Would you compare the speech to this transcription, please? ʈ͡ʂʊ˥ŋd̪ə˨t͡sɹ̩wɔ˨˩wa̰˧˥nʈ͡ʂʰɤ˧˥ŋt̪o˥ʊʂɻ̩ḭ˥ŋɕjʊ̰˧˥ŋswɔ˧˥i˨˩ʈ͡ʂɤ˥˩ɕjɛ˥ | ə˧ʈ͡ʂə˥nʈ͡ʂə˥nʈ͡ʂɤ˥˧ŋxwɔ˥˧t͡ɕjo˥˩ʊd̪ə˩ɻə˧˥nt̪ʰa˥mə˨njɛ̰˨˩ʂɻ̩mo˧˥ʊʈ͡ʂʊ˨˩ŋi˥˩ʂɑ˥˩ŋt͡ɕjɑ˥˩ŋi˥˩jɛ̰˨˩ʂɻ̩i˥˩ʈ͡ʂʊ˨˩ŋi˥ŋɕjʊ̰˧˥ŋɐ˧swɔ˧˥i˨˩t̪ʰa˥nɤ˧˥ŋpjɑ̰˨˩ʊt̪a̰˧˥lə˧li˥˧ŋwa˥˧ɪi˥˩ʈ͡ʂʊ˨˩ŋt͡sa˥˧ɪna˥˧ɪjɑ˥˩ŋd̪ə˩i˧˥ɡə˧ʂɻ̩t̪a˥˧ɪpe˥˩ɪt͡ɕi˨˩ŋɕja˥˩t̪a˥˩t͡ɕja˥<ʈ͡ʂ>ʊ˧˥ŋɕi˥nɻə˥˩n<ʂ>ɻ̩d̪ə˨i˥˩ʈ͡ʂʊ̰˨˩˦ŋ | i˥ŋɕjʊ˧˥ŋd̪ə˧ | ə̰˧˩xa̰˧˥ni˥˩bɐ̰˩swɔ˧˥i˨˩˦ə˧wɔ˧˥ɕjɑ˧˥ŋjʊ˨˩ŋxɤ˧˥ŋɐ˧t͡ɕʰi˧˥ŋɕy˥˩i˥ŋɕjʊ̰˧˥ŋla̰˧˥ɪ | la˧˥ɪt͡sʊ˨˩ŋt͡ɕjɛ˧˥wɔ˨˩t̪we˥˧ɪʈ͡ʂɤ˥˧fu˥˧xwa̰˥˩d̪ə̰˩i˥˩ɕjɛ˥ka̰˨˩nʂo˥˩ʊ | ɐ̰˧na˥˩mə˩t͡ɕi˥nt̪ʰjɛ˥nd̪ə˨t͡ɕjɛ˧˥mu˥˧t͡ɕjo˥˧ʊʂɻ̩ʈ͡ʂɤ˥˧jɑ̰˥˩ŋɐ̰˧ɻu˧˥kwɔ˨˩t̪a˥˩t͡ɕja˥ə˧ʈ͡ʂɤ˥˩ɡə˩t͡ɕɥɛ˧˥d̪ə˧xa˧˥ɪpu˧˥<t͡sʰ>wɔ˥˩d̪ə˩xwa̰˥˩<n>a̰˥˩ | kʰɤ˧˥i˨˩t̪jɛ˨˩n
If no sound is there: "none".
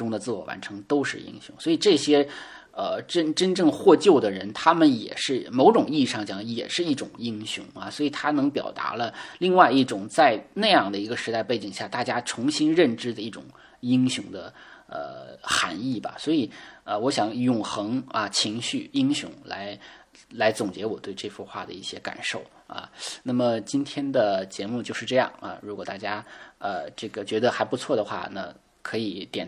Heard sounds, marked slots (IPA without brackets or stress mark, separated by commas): ʈ͡ʂʰ, ʈ͡ʂ, t͡sʰ, n